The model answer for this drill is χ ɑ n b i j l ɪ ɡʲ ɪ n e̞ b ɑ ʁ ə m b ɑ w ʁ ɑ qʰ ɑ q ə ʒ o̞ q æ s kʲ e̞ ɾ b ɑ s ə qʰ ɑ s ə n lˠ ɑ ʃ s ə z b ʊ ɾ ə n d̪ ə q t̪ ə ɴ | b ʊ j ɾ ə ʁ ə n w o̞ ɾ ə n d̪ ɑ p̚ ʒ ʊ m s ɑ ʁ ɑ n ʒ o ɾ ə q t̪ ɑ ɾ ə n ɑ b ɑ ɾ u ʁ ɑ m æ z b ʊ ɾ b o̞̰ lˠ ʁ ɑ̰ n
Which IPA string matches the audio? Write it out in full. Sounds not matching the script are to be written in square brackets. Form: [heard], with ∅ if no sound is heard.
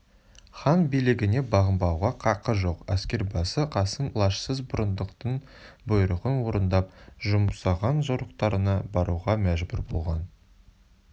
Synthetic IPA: χ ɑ n b i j l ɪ ɡʲ ɪ n e̞ b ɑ ʁ ə m b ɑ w ʁ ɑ qʰ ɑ q ə ʒ o̞ q æ s kʲ e̞ ɾ b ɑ s ə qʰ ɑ s ə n lˠ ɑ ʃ s ə z b ʊ ɾ ə n d̪ ə q t̪ ə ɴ | b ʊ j ɾ ə ʁ ə n w o̞ ɾ ə n d̪ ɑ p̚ ʒ ʊ m s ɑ ʁ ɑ n ʒ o ɾ ə q t̪ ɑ ɾ ə n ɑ b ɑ ɾ u ʁ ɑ m æ [ʒ] b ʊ ɾ b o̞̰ lˠ ʁ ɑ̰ n